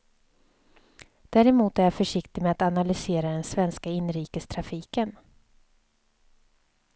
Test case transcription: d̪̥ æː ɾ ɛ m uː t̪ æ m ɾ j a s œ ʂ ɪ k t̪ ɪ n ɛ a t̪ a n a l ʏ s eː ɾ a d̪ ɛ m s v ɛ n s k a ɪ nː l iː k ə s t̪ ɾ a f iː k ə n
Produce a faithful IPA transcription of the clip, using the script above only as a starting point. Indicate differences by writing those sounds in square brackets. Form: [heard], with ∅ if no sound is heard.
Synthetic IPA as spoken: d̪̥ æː ɾ ɛ m uː t̪ æ [∅] ɾ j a [f] œ ʂ ɪ k t̪ ɪ [m] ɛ a t̪ a n a l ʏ s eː ɾ a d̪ ɛ [n] s v ɛ n s k a ɪ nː [ɾ] iː k ə s [t̪ʰ] ɾ a f iː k ə n

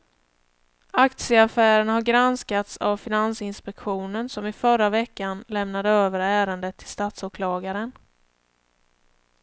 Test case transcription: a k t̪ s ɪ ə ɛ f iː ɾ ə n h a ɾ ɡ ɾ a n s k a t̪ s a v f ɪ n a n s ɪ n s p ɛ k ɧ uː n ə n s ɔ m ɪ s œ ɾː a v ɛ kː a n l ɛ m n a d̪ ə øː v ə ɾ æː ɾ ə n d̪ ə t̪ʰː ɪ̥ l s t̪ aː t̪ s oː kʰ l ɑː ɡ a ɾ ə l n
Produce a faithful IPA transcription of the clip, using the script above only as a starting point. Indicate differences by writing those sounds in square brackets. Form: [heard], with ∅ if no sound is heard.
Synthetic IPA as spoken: a k t̪ s ɪ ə [a] f [æː] ɾ ə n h a ɾ ɡ ɾ a n s k a t̪ s a v f ɪ n a n s ɪ n s p ɛ k ɧ uː n ə n s ɔ m ɪ [f] œ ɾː a v ɛ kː a n l ɛ m n a d̪ ə øː v ə ɾ æː ɾ ə n d̪ ə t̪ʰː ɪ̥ l s t̪ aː t̪ s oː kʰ l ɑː ɡ a ɾ ə [∅] n

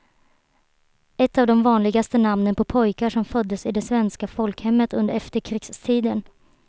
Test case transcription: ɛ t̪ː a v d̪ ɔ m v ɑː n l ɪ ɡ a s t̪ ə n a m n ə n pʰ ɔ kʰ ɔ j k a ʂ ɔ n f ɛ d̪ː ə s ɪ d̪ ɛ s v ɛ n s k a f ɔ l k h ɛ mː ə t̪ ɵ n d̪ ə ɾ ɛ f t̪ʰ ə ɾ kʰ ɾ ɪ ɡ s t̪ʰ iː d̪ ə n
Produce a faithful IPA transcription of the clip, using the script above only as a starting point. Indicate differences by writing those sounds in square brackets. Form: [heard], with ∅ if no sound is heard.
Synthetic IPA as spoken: ɛ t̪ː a v d̪ ɔ m v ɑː n l ɪ ɡ a s t̪ ə n a m n ə n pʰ ɔ [pʰ] ɔ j k a ʂ ɔ [m] f [œ] d̪ː ə s ɪ d̪ ɛ s v ɛ n s k a f ɔ l k h ɛ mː ə t̪ ɵ n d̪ ə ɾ ɛ f [t̪] ə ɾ kʰ ɾ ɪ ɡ s t̪ʰ iː d̪ ə n

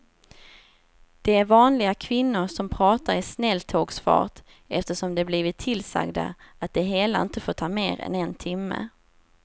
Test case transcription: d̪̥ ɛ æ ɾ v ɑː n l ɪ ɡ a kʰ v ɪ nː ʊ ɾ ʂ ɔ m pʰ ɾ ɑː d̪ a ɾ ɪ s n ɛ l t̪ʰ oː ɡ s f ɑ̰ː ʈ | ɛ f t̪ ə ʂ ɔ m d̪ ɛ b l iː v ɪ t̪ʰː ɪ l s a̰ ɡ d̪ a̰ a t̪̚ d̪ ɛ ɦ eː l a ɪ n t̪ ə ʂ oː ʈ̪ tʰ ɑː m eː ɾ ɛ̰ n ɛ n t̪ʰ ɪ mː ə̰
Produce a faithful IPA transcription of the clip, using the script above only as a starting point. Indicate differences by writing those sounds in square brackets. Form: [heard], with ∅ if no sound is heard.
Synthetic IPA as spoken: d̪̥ ɛ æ ɾ v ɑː n l ɪ ɡ a kʰ v ɪ nː ʊ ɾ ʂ ɔ m pʰ ɾ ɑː [t̪] a ɾ ɪ s n ɛ l t̪ʰ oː ɡ s f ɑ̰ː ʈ | ɛ f t̪ ə ʂ ɔ m d̪ ɛ b l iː v ɪ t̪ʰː ɪ l s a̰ ɡ d̪ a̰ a t̪̚ d̪ ɛ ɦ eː l a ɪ n t̪ ə [f] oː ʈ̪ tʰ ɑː m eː ɾ ɛ̰ n ɛ n t̪ʰ ɪ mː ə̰

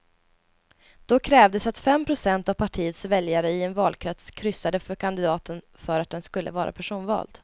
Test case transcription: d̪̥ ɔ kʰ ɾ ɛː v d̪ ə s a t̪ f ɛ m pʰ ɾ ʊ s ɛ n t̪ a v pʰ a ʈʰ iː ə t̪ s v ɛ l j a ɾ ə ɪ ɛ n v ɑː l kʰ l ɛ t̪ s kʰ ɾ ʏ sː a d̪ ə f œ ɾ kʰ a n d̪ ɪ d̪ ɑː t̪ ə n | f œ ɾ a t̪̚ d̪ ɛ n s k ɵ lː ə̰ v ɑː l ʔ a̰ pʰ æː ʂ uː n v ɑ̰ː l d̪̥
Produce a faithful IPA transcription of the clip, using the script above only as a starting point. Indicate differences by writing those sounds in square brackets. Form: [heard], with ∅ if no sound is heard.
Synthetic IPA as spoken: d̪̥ ɔ kʰ ɾ ɛː v d̪ ə s a t̪ f ɛ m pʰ ɾ ʊ s ɛ n t̪ a v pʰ a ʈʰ iː ə t̪ s v ɛ l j a ɾ ə ɪ ɛ n v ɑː l kʰ [ɾ] ɛ t̪ s kʰ ɾ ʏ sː a d̪ ə f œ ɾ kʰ a n d̪ ɪ d̪ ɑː t̪ ə n | f œ ɾ a t̪̚ d̪ ɛ n s k ɵ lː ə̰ v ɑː [ɾ] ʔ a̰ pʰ [æ] ʂ uː n v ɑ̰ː l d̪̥

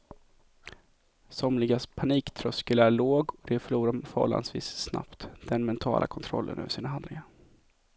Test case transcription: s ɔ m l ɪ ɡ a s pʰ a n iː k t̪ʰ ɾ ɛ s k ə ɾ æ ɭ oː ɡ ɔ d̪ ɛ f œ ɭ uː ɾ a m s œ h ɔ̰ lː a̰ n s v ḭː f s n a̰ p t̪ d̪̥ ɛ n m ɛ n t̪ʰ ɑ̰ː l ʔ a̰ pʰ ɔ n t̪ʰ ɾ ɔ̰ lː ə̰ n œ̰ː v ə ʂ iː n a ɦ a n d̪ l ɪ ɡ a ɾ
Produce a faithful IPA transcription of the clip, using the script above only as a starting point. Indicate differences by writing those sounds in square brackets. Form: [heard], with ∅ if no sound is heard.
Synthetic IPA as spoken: s ɔ m l ɪ ɡ a s pʰ a n iː k t̪ʰ ɾ [œ] s k ə [l] æ ɭ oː ɡ ɔ d̪ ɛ f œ ɭ uː ɾ a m [f] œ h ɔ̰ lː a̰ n s v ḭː [s] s n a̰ p t̪ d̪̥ ɛ n m ɛ n t̪ʰ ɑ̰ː l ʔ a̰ [kʰ] ɔ n t̪ʰ ɾ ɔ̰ lː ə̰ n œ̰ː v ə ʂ iː n a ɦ a n d̪ l ɪ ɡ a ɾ

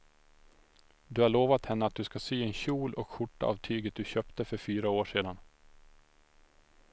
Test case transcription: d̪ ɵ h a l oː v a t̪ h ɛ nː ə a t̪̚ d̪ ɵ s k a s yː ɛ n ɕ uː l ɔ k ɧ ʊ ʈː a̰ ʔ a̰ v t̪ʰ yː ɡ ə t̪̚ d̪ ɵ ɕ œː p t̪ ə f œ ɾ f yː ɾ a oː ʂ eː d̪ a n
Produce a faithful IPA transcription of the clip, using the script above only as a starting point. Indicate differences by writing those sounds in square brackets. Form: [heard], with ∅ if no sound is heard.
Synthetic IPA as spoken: d̪ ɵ h a [ɭ] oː v a t̪ h ɛ nː ə a t̪̚ d̪ ɵ s k a s yː ɛ n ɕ uː l ɔ k ɧ ʊ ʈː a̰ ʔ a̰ v t̪ʰ yː ɡ ə t̪̚ d̪ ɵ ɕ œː p t̪ ə f œ ɾ f yː ɾ a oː ʂ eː d̪ a n

